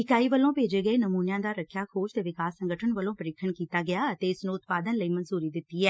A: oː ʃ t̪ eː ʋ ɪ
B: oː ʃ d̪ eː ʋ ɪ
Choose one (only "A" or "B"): A